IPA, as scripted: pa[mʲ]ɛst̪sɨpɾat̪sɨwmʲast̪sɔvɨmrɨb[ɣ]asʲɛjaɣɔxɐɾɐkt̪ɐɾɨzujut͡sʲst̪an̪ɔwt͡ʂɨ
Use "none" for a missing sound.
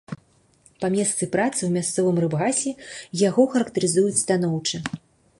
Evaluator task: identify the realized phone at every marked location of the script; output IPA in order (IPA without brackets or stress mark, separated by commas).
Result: mʲ, ɣ